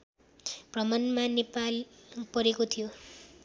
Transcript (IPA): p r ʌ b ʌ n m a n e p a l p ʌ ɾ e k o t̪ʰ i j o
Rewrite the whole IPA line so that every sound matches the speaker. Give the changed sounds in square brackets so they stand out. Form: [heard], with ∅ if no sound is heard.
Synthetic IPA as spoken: p r ʌ [m] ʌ n m a n e p a l p ʌ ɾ e k o t̪ʰ i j o

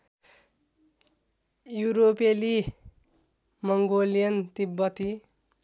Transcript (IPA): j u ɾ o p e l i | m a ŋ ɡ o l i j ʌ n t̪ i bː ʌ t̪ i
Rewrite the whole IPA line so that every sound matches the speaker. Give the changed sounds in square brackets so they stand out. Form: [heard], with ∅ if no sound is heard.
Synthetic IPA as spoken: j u ɾ o p e l i | m [ʌ] ŋ ɡ o l i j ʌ n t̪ i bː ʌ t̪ i

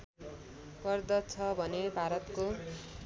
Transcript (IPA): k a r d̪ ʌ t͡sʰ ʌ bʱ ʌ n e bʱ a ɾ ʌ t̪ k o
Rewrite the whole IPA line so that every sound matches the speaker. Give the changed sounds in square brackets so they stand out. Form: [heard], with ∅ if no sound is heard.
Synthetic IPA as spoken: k [ʌ] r d̪ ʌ t͡sʰ ʌ bʱ ʌ n e bʱ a ɾ ʌ t̪ k o

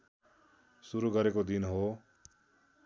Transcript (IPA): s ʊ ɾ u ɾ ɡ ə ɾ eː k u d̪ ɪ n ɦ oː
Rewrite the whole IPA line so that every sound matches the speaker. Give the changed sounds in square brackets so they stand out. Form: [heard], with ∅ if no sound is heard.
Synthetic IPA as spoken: s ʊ ɾ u [∅] ɡ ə ɾ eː k [o] d̪ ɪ n ɦ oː

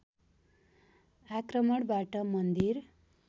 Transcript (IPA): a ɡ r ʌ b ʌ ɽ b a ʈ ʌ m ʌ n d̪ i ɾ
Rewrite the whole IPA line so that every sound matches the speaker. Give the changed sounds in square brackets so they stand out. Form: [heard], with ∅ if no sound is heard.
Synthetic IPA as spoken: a [k] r ʌ [m] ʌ ɽ b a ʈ ʌ m ʌ n d̪ i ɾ

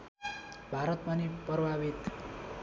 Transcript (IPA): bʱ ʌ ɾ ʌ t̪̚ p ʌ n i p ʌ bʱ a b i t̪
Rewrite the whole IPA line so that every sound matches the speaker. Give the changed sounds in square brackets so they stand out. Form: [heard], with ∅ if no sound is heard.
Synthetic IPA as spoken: bʱ [a] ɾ ʌ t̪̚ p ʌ n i p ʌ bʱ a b i t̪

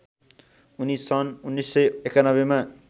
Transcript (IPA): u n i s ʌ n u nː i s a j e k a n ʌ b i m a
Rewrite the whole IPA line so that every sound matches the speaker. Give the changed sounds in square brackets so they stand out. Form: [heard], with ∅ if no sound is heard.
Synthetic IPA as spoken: u n i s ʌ n u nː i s [ʌ] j e k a n ʌ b [e] m a

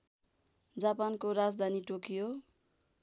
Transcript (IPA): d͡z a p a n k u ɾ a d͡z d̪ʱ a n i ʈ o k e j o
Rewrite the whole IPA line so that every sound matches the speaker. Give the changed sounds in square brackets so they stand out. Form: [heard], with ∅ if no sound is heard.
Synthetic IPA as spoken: d͡z a p a n k [o] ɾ a d͡z d̪ʱ a n i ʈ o k [i] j o

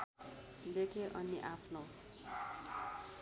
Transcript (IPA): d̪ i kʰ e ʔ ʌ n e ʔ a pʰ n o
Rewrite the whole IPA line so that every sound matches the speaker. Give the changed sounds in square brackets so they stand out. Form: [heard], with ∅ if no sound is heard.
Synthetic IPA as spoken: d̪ [e] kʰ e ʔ ʌ n [i] ʔ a pʰ n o

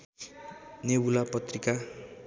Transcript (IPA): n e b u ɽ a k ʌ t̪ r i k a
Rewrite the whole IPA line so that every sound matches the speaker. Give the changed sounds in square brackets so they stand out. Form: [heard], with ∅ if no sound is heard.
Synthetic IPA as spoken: n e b u [l] a [p] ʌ t̪ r i k a

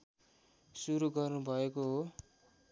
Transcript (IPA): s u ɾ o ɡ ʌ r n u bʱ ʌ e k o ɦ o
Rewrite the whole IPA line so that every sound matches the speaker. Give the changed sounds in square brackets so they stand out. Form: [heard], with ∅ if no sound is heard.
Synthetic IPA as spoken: s u ɾ [u] ɡ ʌ r n u bʱ ʌ e k o ɦ o

